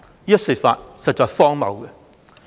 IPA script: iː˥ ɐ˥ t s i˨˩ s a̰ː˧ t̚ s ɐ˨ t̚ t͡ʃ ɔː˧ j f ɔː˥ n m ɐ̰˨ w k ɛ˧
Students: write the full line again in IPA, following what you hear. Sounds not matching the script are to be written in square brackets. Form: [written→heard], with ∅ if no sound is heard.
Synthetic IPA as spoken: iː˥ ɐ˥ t s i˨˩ [s→f] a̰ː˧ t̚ s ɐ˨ t̚ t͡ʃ ɔː˧ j f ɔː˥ [n→ŋ] m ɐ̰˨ w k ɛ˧